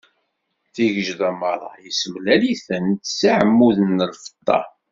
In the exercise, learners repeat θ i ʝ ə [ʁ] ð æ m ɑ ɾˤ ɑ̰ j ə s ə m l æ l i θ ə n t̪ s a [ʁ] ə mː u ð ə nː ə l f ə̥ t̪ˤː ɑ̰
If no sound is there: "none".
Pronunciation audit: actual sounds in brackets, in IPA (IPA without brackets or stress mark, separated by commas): ʒ, ʕ